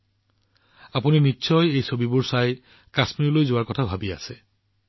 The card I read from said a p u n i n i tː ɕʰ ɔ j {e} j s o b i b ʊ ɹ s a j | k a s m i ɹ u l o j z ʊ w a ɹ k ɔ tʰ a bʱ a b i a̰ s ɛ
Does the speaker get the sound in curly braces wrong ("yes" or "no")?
no